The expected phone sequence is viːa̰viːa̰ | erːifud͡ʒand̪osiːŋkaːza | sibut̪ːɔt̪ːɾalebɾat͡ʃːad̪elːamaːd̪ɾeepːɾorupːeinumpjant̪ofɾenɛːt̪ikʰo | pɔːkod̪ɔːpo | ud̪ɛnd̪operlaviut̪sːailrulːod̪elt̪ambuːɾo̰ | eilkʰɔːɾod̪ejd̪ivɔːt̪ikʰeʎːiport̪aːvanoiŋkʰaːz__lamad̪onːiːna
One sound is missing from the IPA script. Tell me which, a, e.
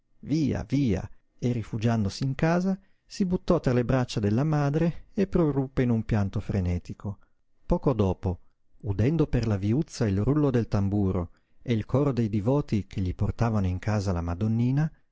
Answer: a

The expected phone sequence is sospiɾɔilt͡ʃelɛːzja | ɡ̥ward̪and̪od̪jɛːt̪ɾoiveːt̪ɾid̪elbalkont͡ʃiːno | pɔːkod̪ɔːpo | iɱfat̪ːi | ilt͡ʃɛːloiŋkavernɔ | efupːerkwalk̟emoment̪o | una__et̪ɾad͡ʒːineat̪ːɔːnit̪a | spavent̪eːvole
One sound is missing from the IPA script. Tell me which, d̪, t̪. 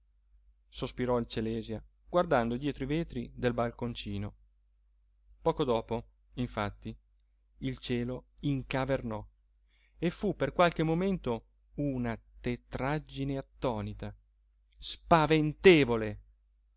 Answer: t̪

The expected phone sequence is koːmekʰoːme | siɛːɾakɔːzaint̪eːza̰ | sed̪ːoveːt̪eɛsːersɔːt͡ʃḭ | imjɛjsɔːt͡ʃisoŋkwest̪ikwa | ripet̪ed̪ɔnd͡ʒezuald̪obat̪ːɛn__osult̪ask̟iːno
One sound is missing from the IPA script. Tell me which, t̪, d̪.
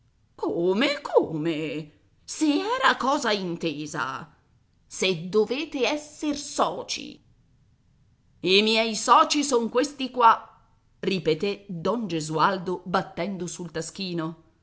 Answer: d̪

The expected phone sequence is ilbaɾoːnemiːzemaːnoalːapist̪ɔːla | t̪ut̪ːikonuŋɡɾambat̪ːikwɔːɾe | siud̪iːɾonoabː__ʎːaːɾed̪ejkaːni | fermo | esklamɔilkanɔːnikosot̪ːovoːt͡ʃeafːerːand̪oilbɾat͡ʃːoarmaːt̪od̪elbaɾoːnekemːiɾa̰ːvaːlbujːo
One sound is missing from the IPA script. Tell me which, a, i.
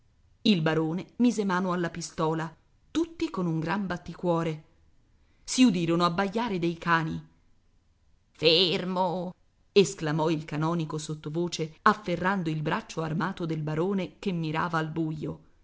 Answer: a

